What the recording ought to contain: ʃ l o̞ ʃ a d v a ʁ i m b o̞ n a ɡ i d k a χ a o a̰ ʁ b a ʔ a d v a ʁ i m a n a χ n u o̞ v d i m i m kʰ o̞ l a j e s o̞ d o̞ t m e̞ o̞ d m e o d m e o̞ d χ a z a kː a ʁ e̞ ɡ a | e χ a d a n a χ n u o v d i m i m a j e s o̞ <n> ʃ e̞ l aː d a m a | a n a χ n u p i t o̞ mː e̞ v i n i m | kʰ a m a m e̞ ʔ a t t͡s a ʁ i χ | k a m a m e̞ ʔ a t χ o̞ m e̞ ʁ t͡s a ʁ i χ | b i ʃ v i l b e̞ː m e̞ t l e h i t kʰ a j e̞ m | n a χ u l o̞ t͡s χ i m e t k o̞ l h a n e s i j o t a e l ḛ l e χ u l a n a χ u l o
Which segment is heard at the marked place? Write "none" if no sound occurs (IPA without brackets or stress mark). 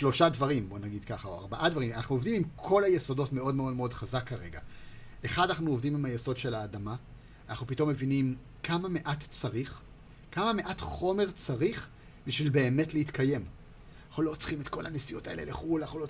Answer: d